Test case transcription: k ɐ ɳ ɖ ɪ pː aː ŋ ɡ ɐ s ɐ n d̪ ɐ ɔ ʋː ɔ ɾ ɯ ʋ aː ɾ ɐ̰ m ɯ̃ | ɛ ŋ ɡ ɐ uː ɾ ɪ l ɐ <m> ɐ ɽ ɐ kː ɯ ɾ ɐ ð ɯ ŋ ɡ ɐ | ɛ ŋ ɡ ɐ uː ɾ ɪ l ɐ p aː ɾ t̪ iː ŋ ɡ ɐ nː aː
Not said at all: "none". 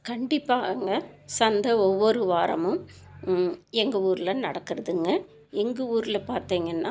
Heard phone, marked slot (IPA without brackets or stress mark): n